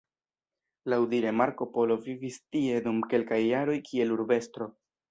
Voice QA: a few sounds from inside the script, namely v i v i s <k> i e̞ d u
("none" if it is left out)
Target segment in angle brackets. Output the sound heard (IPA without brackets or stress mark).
t